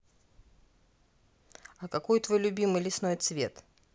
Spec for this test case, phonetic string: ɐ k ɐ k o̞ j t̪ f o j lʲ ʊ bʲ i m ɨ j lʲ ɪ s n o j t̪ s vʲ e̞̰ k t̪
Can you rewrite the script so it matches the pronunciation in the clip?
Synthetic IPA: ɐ k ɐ k o̞ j t̪ v o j lʲ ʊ bʲ i m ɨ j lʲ ɪ s n o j t̪ s vʲ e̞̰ t̪